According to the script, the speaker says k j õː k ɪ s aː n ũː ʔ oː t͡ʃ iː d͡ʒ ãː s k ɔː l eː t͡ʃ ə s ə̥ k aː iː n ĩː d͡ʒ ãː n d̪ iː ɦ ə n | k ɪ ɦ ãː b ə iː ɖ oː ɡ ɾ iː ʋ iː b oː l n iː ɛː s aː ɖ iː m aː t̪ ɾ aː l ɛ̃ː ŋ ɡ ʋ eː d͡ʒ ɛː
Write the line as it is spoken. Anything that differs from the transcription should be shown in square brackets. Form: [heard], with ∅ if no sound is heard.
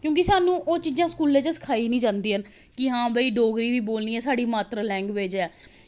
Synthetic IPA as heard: k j õː k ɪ s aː n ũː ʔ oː t͡ʃ iː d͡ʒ ãː s k [uː] l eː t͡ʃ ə s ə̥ [kʰ] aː iː n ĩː d͡ʒ ãː n d̪ iː ɦ ə n | k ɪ ɦ ãː b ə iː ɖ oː ɡ ɾ iː ʋ iː b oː l n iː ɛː s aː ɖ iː m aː t̪ ɾ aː l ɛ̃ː ŋ ɡ ʋ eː d͡ʒ ɛː